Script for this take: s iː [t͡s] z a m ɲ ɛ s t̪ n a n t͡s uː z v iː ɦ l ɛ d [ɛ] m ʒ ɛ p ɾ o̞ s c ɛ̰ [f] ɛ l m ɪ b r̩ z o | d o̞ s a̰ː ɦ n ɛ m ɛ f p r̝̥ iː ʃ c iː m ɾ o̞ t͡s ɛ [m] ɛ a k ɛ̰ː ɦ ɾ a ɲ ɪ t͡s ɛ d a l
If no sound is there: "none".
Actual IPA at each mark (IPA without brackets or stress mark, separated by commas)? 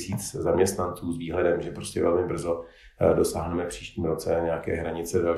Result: t͡s, ɛ, v, ɲ